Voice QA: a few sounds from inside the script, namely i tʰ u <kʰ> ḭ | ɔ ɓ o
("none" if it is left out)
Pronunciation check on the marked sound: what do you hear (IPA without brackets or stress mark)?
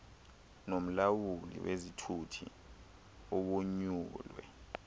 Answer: tʰ